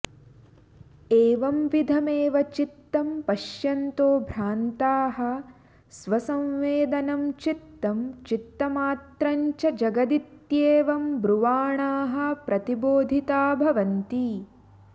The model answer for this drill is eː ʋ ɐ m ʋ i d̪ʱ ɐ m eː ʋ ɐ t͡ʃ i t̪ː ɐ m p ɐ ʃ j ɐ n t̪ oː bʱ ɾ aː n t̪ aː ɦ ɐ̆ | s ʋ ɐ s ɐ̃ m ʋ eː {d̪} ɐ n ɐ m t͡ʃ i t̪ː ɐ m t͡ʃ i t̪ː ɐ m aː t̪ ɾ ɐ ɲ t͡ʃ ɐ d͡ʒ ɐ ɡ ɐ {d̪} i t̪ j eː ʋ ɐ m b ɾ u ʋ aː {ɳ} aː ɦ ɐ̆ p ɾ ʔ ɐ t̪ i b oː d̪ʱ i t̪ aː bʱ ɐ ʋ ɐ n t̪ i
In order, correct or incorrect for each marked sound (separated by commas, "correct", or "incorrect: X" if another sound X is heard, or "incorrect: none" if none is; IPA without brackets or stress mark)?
correct, correct, correct